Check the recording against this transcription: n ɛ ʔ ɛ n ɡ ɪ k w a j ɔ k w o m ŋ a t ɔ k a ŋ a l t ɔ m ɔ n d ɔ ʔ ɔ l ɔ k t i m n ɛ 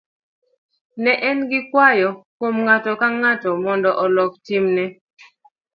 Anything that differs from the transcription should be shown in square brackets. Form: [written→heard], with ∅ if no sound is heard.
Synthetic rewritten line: n ɛ ʔ ɛ n ɡ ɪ k w a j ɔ k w o m ŋ a t ɔ k a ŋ a [l→∅] t ɔ m ɔ n d ɔ ʔ ɔ l ɔ k t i m n ɛ